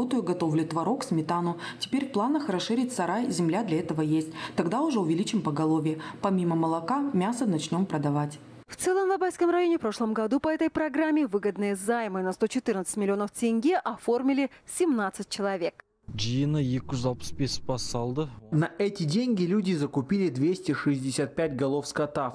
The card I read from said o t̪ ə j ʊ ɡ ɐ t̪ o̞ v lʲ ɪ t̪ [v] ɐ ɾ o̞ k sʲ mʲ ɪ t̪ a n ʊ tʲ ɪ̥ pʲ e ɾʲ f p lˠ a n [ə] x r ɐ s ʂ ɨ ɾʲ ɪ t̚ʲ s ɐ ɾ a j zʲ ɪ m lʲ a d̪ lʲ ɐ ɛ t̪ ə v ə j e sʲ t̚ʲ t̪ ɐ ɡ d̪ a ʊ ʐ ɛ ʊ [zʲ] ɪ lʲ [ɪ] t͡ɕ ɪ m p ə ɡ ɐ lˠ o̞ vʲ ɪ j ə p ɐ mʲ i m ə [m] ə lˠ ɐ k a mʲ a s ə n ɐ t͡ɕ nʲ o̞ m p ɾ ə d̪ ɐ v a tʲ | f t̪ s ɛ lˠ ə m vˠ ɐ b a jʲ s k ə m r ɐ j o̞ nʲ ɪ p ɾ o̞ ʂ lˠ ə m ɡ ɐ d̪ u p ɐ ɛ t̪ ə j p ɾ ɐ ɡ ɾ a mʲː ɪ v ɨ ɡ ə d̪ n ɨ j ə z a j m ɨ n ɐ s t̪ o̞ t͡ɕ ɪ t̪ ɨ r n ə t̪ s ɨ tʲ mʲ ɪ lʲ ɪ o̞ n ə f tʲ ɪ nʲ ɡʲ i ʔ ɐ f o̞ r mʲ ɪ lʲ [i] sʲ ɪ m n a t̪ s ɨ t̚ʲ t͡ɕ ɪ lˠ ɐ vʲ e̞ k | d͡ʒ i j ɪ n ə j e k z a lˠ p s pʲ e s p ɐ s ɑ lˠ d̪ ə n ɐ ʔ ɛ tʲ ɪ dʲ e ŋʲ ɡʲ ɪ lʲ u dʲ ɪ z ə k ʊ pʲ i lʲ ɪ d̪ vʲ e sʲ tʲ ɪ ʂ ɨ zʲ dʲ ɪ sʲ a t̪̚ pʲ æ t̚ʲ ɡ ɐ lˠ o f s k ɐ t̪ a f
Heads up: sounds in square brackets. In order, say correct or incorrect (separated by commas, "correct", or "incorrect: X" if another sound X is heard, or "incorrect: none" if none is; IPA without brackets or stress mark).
correct, correct, incorrect: vʲ, incorrect: i, correct, incorrect: ɪ